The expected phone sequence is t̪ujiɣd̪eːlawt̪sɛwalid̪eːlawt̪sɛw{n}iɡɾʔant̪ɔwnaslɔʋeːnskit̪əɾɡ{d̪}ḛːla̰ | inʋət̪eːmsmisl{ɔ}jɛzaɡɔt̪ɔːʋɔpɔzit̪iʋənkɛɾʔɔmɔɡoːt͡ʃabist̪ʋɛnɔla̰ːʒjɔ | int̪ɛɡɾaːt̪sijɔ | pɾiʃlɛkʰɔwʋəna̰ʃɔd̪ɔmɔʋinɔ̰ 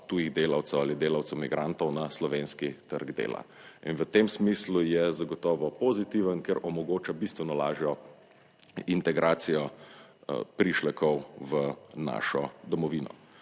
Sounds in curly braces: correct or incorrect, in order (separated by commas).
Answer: incorrect, correct, incorrect